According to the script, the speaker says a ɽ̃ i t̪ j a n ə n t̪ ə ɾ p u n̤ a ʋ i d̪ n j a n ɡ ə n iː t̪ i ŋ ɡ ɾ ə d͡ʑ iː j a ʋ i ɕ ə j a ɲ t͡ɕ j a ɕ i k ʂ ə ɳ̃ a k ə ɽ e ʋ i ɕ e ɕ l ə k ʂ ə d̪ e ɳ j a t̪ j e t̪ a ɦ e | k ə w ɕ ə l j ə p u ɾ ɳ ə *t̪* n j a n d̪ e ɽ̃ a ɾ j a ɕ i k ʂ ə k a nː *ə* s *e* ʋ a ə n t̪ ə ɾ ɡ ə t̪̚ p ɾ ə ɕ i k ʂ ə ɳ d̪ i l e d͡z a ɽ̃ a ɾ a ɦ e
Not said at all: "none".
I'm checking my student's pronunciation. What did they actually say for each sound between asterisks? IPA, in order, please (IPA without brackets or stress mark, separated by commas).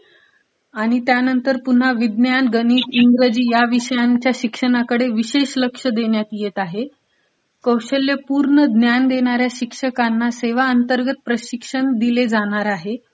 d̪, a, e